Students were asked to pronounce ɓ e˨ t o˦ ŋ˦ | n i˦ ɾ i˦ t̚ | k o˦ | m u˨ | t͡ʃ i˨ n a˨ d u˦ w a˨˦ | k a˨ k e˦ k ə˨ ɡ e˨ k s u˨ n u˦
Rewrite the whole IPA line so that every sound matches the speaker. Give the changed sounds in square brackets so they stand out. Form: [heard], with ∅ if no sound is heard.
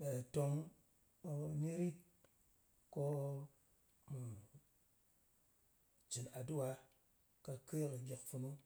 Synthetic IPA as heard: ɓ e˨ t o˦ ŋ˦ | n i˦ ɾ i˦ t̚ | k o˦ | m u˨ | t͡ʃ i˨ n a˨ d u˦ w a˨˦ | k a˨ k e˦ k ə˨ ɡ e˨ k [f] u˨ n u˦

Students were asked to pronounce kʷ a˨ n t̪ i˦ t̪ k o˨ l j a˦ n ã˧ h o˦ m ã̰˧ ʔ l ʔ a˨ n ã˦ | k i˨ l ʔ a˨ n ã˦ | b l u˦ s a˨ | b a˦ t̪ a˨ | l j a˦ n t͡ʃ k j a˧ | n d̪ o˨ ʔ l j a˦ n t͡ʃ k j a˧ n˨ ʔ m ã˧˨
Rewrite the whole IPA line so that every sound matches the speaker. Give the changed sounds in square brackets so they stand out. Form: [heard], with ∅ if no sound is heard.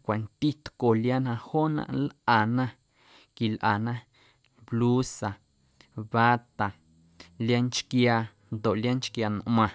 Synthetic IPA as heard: kʷ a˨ n t̪ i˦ t̪ k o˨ l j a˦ n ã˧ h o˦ [n] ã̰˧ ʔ l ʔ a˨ n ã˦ | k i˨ l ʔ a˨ n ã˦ | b l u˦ s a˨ | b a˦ t̪ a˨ | l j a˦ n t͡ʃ k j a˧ | n d̪ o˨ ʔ l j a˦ n t͡ʃ k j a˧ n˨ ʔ m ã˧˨

